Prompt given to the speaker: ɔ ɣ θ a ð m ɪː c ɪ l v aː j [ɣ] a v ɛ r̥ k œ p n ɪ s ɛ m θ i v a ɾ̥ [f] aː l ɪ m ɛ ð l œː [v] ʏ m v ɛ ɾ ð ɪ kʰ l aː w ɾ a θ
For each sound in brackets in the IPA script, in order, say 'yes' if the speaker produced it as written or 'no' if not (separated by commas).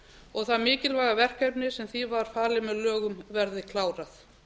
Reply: yes, yes, no